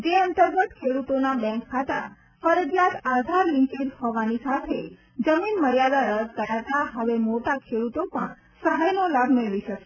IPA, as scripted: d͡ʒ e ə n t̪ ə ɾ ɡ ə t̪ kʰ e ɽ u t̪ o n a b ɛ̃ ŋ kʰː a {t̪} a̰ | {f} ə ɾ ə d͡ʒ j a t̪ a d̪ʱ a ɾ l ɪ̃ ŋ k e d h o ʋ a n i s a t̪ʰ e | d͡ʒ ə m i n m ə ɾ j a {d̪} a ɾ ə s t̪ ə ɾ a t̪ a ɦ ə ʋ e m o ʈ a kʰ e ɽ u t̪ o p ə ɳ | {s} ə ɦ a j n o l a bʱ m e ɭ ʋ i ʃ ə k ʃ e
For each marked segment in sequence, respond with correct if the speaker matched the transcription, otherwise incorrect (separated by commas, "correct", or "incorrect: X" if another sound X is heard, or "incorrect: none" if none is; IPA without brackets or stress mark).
correct, correct, correct, correct